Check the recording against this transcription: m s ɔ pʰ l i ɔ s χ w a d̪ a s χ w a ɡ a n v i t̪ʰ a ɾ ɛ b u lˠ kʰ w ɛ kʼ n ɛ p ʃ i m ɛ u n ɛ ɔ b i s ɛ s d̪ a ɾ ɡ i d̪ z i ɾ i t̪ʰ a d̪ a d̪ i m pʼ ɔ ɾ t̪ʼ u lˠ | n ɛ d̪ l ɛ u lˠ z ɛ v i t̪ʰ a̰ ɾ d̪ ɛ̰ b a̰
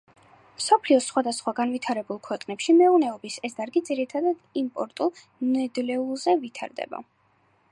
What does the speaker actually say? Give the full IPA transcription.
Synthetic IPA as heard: m s ɔ pʰ l i ɔ s χ w a d̪ a s χ w a ɡ a n v i t̪ʰ a ɾ ɛ b u lˠ kʰ w ɛ qʼ n ɛ p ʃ i m ɛ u n ɛ ɔ b i s ɛ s d̪ a ɾ ɡ i d̪ z i ɾ i t̪ʰ a d̪ a d̪ i m pʼ ɔ ɾ t̪ʼ u lˠ | n ɛ d̪ l ɛ u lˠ z ɛ v i t̪ʰ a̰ ɾ d̪ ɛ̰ b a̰